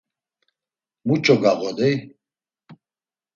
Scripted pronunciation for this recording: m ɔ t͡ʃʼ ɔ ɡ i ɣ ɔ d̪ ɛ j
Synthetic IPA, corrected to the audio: m u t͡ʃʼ ɔ ɡ a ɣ ɔ d̪ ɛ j